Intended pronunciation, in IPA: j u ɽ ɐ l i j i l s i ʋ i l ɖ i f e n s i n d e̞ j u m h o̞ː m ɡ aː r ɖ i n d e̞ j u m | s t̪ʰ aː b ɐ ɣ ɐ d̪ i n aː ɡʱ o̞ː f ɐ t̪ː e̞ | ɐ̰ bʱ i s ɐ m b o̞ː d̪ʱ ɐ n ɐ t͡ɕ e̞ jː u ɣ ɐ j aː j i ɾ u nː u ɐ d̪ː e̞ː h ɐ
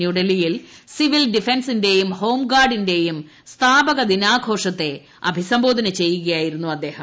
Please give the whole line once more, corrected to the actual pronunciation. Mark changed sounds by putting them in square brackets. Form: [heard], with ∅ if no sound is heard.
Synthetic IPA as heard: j u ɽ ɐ l i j i l s i ʋ i l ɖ i f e n s i n d e̞ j u m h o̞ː m ɡ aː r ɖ i n d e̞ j u m | s t̪ʰ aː b ɐ ɣ ɐ d̪ i n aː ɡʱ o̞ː [ʂ] ɐ t̪ː e̞ | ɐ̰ bʱ i s ɐ m b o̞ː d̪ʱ ɐ n ɐ t͡ɕ e̞ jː u ɣ ɐ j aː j i ɾ u nː u ɐ d̪ː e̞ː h ɐ

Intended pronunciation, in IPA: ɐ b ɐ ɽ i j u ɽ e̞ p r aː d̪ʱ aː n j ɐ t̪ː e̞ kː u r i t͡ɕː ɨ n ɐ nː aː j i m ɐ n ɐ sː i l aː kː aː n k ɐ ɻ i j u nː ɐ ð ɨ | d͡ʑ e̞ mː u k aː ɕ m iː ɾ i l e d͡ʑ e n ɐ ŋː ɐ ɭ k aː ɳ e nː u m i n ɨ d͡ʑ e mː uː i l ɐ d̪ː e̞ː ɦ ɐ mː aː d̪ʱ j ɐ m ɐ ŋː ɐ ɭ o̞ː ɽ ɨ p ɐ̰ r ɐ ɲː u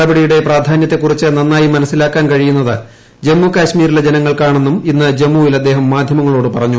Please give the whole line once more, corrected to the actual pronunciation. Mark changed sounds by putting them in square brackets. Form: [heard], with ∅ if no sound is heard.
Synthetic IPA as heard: ɐ b ɐ ɽ i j u ɽ e̞ p r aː d̪ʱ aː n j ɐ t̪ː e̞ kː u r i t͡ɕː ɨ n ɐ nː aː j i m ɐ n ɐ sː i l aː kː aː n k ɐ ɻ i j u nː ɐ ð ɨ | d͡ʑ e̞ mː u k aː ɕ m iː ɾ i l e d͡ʑ e n ɐ ŋː ɐ ɭ k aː ɳ e nː u m i [nː] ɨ d͡ʑ e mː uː i l ɐ d̪ː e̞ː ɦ ɐ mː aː d̪ʱ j ɐ m ɐ ŋː ɐ ɭ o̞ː ɽ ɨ p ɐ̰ r ɐ ɲː u

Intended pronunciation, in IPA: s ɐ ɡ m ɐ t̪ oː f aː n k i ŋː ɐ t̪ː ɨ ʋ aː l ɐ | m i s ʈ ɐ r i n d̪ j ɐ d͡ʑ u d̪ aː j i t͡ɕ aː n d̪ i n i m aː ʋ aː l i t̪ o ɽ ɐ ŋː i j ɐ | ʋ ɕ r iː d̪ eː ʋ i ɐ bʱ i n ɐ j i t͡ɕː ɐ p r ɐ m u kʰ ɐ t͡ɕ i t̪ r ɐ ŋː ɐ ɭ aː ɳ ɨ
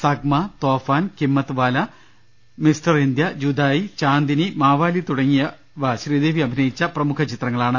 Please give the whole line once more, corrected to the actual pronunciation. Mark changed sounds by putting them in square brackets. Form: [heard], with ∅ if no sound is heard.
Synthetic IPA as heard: s ɐ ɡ m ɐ t̪ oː f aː n k i [mː] ɐ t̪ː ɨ ʋ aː l ɐ | m i s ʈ ɐ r i n d̪ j ɐ d͡ʑ u d̪ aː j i t͡ɕ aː n d̪ i n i m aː ʋ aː l i t̪ [u] ɽ ɐ ŋː i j ɐ | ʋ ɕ r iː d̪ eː ʋ i ɐ bʱ i n ɐ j i t͡ɕː ɐ p r ɐ m u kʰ ɐ t͡ɕ i t̪ r ɐ ŋː ɐ ɭ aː ɳ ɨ

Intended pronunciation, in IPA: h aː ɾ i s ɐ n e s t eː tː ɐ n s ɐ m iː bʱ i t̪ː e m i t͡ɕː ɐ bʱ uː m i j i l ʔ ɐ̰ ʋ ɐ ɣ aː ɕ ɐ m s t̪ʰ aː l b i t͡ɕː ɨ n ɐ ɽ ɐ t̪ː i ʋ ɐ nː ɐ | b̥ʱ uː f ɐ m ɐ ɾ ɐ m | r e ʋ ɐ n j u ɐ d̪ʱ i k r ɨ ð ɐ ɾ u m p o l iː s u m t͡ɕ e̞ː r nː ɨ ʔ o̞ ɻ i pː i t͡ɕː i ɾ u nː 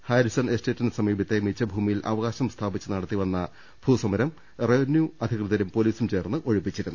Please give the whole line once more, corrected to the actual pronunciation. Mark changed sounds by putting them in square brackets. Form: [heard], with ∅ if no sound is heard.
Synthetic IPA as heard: h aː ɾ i s ɐ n e s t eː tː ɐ n s ɐ m iː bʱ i t̪ː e m i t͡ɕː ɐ bʱ uː m i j i l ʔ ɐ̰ ʋ ɐ ɣ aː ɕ ɐ m s t̪ʰ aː [∅] b i t͡ɕː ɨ n ɐ ɽ ɐ t̪ː i ʋ ɐ nː ɐ | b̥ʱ uː [s] ɐ m ɐ ɾ ɐ m | r e ʋ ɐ n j u ɐ d̪ʱ i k r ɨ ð ɐ ɾ u m p o l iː s u m t͡ɕ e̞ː r nː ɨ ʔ o̞ ɻ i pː i t͡ɕː i ɾ u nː

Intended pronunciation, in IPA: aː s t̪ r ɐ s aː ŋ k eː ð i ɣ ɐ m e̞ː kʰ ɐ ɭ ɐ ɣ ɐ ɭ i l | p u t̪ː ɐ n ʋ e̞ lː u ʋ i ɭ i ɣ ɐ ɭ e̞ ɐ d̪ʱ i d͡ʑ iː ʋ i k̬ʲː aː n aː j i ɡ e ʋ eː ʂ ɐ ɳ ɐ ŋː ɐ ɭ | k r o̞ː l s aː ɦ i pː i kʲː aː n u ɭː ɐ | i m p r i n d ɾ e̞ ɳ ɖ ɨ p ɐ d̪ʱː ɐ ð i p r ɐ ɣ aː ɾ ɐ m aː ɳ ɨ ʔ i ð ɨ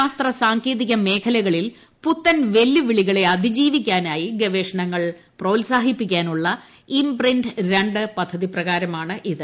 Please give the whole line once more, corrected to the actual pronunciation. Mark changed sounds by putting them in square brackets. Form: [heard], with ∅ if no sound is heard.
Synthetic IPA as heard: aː s t̪ r ɐ s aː ŋ k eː ð i ɣ ɐ m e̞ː kʰ ɐ [l] ɐ ɣ ɐ ɭ i l | p u t̪ː ɐ n ʋ e̞ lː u ʋ i ɭ i ɣ ɐ ɭ e̞ ɐ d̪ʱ i d͡ʑ iː ʋ i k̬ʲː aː n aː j i ɡ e ʋ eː ʂ ɐ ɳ ɐ ŋː ɐ ɭ | [p] r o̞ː l s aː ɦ i pː i kʲː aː n u ɭː ɐ | i m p r i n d ɾ e̞ ɳ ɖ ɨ p ɐ d̪ʱː ɐ ð i p r ɐ ɣ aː ɾ ɐ m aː ɳ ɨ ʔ i ð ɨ

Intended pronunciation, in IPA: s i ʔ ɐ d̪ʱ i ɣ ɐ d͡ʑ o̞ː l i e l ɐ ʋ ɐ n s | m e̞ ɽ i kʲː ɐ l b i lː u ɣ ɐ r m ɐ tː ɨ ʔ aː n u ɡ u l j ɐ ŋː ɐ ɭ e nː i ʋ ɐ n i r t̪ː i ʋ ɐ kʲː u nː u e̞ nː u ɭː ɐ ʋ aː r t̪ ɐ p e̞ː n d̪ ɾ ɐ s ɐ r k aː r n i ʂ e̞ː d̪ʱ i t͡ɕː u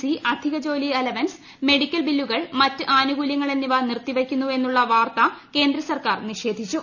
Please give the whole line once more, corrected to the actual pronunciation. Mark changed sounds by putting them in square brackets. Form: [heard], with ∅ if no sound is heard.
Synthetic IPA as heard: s i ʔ ɐ d̪ʱ i ɣ ɐ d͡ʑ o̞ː l i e l ɐ ʋ ɐ n s | m e̞ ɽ i kʲː ɐ l b i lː u ɣ ɐ [ɭ] m ɐ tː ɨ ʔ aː n u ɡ u l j ɐ ŋː ɐ ɭ e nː i ʋ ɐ n i r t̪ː i ʋ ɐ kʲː u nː u e̞ nː u ɭː ɐ ʋ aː r t̪ ɐ [k] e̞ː n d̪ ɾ ɐ s ɐ r k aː r n i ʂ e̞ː d̪ʱ i t͡ɕː u

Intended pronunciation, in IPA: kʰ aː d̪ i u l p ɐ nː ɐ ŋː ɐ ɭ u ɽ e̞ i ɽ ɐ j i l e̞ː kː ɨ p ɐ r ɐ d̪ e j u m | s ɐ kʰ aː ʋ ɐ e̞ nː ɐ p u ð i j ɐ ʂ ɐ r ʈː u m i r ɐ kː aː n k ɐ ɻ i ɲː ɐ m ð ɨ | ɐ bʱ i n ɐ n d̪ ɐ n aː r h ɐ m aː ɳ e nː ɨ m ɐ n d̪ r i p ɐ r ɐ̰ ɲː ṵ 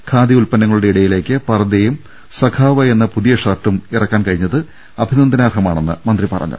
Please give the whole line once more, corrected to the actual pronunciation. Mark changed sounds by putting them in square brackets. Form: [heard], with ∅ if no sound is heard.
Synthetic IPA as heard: kʰ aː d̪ i u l p ɐ nː ɐ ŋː ɐ ɭ u ɽ e̞ i ɽ ɐ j i l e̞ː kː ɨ p ɐ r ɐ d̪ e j u m | s ɐ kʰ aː ʋ ɐ e̞ nː ɐ p u ð i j ɐ ʂ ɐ r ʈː u m i r ɐ kː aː n k ɐ ɻ i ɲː ɐ [∅] ð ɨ | ɐ bʱ i n ɐ n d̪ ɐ n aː r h ɐ m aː ɳ e nː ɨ m ɐ n d̪ r i p ɐ r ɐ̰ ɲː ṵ

